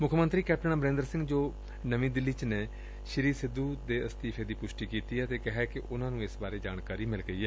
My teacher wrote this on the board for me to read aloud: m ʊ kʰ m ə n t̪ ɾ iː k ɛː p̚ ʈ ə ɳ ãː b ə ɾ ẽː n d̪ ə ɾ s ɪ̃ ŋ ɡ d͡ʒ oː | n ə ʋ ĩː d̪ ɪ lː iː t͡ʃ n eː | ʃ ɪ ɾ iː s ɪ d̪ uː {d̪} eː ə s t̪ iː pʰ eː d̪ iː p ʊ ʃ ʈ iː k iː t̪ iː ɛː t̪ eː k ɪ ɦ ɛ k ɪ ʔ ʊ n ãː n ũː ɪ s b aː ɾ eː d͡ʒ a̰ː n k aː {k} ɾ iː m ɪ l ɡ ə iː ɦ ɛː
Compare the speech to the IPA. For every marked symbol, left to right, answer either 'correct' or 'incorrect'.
correct, incorrect

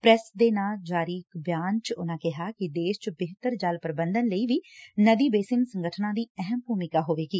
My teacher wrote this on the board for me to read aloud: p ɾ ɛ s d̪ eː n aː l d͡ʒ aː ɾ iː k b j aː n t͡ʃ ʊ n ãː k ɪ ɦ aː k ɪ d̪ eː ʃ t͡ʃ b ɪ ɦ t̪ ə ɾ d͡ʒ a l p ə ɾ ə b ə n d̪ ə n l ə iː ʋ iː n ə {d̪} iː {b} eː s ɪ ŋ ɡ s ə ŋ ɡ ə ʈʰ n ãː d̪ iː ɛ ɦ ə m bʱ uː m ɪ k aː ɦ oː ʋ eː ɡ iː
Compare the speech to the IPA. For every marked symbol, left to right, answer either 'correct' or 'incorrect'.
correct, correct

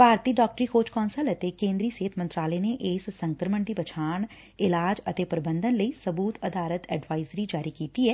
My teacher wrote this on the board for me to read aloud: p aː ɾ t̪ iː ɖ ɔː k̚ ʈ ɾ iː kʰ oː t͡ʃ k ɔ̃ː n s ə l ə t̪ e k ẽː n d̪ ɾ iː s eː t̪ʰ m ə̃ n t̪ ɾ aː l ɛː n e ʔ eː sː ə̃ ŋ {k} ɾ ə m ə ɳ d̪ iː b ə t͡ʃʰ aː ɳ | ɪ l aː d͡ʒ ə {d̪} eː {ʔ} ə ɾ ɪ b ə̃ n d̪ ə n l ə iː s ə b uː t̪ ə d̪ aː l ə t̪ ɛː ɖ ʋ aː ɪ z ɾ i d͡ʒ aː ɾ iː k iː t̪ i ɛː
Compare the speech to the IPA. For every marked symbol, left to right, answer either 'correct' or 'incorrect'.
correct, incorrect, incorrect

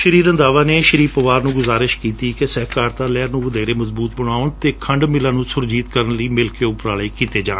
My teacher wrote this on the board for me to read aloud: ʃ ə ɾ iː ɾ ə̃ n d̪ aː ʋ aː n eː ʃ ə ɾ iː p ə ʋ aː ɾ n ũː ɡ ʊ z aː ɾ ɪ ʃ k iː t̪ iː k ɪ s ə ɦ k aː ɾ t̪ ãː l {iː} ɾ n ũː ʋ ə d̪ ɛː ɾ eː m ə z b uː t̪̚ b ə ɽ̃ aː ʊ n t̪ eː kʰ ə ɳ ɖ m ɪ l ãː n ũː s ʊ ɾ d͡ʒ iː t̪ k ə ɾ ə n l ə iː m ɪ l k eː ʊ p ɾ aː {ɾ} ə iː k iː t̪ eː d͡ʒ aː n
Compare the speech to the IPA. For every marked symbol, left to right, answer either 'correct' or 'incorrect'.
incorrect, incorrect

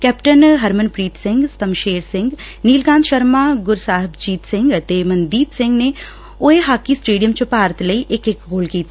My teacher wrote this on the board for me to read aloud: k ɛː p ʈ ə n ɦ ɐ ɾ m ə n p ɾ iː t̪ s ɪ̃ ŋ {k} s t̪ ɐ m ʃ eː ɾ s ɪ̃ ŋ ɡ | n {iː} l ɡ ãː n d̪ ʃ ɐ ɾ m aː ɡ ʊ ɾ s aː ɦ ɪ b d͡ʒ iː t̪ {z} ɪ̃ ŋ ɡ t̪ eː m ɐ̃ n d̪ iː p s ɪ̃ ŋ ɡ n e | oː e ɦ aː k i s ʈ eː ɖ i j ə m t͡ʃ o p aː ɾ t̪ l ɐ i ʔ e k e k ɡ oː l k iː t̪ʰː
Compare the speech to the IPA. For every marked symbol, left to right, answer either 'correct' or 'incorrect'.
incorrect, correct, incorrect

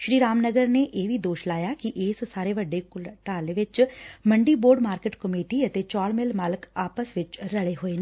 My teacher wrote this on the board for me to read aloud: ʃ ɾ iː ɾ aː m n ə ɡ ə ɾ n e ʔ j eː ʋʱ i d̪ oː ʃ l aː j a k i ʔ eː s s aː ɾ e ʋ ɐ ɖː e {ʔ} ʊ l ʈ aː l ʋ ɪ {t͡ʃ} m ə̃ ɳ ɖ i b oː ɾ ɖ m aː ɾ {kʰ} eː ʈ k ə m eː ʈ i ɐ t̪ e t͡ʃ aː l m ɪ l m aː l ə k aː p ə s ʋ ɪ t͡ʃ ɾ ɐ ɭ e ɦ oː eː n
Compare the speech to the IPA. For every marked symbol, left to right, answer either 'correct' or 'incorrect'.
incorrect, correct, incorrect

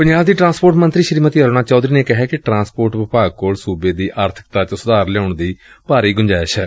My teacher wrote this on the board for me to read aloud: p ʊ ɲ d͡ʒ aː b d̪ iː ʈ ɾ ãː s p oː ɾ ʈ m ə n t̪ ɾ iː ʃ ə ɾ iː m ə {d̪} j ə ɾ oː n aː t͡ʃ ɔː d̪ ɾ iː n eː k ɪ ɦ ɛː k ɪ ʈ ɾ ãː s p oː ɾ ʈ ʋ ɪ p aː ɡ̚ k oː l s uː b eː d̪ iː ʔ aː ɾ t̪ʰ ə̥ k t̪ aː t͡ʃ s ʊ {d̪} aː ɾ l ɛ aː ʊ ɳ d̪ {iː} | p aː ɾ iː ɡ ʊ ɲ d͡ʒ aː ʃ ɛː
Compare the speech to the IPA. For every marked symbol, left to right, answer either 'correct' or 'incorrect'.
incorrect, correct, correct

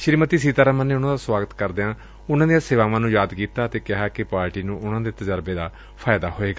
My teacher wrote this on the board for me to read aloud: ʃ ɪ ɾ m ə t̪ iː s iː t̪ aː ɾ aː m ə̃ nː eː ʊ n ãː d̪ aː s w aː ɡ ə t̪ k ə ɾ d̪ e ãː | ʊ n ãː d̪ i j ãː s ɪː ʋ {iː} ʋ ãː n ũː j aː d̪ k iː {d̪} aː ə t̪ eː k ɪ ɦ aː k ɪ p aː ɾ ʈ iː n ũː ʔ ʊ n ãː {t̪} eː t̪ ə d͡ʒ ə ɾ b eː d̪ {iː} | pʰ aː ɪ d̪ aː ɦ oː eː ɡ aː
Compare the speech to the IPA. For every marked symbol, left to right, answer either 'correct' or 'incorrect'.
incorrect, incorrect, incorrect, incorrect

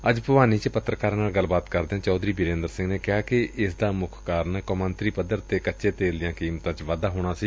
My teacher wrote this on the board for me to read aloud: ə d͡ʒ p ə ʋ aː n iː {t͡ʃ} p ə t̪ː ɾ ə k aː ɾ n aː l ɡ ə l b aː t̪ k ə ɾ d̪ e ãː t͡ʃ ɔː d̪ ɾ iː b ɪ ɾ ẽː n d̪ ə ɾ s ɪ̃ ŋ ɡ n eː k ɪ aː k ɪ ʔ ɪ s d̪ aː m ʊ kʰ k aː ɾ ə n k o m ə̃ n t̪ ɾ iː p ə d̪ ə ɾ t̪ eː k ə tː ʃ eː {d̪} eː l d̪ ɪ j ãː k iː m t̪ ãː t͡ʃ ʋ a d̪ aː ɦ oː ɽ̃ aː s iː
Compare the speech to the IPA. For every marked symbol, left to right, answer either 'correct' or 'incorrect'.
correct, incorrect

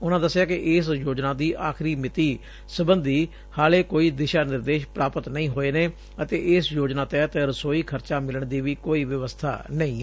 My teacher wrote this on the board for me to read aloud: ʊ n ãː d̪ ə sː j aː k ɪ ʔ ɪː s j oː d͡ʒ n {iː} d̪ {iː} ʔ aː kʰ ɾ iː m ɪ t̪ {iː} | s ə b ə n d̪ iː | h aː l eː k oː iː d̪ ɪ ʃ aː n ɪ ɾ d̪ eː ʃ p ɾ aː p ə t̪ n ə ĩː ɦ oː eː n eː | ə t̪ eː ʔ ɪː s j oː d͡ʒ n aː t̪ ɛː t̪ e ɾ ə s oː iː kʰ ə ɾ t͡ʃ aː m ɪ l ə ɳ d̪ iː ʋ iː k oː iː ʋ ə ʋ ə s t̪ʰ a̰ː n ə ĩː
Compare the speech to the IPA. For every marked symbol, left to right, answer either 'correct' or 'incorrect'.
incorrect, correct, correct

